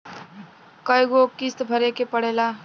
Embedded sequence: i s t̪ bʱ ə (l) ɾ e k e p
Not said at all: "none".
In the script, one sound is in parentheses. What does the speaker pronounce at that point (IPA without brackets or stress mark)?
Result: none